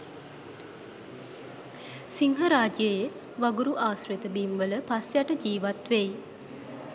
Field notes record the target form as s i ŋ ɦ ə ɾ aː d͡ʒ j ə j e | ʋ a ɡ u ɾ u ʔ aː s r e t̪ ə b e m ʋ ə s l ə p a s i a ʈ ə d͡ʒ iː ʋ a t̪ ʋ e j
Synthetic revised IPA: s i ŋ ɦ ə ɾ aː d͡ʒ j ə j e | ʋ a ɡ u ɾ u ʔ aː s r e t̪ ə b i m ʋ ə l ə p a s j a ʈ ə d͡ʒ iː ʋ a t̪ ʋ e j